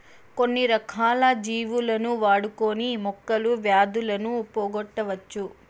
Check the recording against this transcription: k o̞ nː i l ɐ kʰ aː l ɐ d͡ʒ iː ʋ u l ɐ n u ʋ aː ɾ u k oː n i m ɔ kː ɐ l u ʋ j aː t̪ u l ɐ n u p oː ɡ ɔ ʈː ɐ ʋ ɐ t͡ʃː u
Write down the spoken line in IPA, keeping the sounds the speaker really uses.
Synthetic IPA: k o̞ nː i ɾ ɐ kʰ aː l ɐ d͡ʒ iː ʋ u l ɐ n u ʋ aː ɽ u k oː n i m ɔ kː ɐ l u ʋ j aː d̪ u l ɐ n u p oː ɡ ɔ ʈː ɐ ʋ ɐ t͡ʃː u

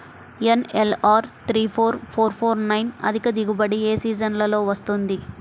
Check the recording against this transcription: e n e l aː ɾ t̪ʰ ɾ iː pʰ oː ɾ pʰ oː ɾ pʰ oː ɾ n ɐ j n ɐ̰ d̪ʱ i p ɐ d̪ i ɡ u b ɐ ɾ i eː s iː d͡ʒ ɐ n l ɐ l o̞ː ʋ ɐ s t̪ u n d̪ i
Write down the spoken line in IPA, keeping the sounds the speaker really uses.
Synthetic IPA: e n e l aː ɾ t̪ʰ ɾ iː pʰ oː ɾ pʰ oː ɾ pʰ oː ɾ n ɐ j n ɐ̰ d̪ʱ i k ɐ d̪ i ɡ u b ɐ ɽ i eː s iː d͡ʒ ɐ n l ɐ l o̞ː ʋ ɐ s t̪ u n d̪ i

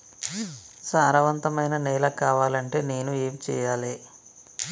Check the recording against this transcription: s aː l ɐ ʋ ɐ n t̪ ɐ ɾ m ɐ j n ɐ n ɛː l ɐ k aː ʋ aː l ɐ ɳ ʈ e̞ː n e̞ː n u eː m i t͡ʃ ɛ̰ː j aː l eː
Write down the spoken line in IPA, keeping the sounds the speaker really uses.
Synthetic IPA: s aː ɾ ɐ ʋ ɐ n t̪ ɐ m ɐ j n ɐ n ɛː l ɐ k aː ʋ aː l ɐ ɳ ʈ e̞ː n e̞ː n u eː m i t͡ʃ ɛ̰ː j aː l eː

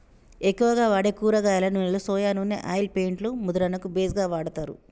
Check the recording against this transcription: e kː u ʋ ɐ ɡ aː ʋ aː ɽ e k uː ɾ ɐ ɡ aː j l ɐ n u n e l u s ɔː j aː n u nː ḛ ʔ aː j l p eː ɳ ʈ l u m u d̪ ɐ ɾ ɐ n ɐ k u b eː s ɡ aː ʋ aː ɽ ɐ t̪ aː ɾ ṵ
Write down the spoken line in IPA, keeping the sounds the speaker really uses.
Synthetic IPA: e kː u ʋ ɐ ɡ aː ʋ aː ɽ e k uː ɾ ɐ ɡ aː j l ɐ n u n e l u s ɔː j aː n u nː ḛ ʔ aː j l p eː ɳ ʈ l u m u d̪ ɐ ɾ ɐ n ɐ k u b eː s ɡ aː ʋ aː ɽ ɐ t̪ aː ɾ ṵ

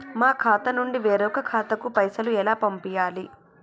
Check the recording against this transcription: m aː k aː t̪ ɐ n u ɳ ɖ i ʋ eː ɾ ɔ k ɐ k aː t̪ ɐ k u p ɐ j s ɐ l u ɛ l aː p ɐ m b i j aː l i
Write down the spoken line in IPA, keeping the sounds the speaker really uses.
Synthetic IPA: m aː kʰ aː t̪ ɐ n u ɳ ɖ i ʋ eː ɾ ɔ k ɐ kʰ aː t̪ ɐ k u p ɐ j s ɐ l u ɛ l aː p ɐ m p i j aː l i

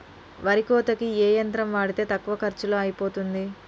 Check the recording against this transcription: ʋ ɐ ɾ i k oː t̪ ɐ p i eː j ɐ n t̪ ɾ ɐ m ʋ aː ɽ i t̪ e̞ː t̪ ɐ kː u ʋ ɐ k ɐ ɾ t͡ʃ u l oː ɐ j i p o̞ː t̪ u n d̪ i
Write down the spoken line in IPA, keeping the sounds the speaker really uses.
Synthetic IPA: ʋ ɐ ɾ i k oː t̪ ɐ k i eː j ɐ n t̪ ɾ ɐ m ʋ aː ɽ i t̪ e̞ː t̪ ɐ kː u ʋ ɐ k ɐ ɾ t͡ʃ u l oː ɐ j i p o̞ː t̪ u n d̪ i

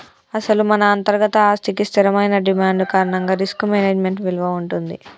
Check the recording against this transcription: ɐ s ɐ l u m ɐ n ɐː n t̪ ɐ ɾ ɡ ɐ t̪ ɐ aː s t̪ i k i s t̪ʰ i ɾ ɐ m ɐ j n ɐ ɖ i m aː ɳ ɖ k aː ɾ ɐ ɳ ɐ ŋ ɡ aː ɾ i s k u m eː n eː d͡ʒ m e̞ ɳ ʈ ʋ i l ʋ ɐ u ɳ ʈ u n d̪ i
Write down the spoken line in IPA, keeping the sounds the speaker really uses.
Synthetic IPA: ɐ s ɐ l u m ɐ n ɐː n t̪ ɐ ɾ ɡ ɐ t̪ ɐ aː s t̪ i k i s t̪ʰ i ɾ ɐ m ɐ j n ɐ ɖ i m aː ɳ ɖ k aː ɾ ɐ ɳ ɐ ŋ ɡ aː ɾ i s k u m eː n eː d͡ʒ m e̞ ɳ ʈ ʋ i l ʋ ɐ u ɳ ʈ u n d̪ i

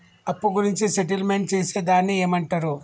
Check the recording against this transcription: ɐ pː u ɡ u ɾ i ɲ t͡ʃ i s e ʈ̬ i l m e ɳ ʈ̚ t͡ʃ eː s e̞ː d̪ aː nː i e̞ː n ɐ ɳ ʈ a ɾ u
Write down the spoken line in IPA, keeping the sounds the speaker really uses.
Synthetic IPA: ɐ pː u ɡ u ɾ i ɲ t͡ʃ i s e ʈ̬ i l m e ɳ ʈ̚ t͡ʃ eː s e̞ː d̪ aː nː i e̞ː m ɐ ɳ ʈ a ɾ u

